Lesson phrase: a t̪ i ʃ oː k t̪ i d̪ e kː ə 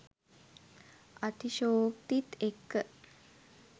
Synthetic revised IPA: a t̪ i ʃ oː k t̪ i t̪ e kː ə